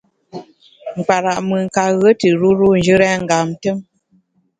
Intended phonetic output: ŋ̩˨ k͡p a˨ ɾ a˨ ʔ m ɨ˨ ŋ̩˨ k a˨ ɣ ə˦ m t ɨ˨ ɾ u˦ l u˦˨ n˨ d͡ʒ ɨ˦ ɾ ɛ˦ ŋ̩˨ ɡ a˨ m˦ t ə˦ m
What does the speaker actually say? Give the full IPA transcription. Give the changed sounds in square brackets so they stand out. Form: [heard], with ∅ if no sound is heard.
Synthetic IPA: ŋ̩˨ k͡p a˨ ɾ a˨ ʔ m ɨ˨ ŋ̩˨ k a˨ ɣ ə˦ [∅] t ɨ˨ ɾ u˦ [ɾ] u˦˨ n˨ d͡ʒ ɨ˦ ɾ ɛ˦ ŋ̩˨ ɡ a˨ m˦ t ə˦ m